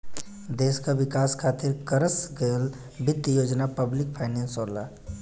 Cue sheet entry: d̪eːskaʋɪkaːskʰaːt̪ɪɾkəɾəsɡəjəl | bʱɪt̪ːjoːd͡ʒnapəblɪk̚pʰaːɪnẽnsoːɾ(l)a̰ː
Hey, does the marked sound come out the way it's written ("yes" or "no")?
yes